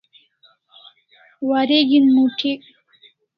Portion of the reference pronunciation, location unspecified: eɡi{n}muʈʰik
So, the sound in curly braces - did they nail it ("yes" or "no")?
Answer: yes